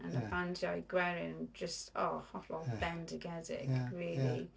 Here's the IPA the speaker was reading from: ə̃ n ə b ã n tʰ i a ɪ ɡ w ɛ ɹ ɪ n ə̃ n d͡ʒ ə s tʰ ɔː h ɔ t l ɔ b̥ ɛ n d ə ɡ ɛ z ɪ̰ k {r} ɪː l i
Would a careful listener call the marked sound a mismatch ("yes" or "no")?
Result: yes